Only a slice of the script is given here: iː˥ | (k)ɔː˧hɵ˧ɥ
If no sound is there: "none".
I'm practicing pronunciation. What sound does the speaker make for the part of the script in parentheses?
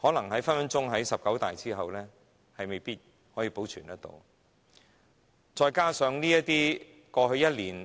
k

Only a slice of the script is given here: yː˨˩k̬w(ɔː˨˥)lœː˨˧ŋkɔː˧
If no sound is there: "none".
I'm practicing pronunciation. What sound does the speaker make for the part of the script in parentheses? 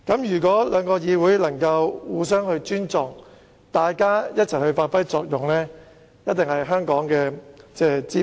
ɔː˨˥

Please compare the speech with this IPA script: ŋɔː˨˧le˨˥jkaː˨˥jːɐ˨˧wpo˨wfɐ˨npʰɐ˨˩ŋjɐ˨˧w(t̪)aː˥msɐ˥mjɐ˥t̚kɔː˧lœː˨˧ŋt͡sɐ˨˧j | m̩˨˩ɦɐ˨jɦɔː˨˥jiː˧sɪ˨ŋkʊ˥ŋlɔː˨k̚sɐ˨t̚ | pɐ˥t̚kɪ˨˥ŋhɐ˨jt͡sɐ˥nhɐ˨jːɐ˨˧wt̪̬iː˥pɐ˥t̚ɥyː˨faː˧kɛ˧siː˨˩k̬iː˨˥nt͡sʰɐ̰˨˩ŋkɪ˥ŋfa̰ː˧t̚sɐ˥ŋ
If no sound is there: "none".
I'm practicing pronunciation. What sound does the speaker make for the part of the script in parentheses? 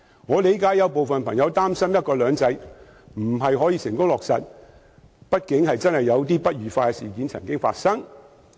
t̪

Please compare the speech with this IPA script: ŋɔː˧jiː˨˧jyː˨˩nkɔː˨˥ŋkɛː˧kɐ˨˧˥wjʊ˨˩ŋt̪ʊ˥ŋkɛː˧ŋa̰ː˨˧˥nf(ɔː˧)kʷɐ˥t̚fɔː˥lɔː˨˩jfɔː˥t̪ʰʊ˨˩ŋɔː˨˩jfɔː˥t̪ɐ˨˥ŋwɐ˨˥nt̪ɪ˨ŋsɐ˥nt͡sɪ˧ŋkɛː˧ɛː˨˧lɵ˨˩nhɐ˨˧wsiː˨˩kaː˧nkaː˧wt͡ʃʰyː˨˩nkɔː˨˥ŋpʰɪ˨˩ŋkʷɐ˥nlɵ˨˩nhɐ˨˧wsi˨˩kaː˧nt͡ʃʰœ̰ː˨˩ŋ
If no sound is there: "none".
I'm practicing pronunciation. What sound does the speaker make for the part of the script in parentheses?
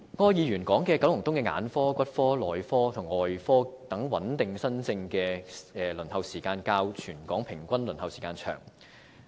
ɔː˥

